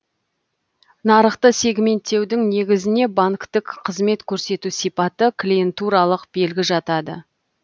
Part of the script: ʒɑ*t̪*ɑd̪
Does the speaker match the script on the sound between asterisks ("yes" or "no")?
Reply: yes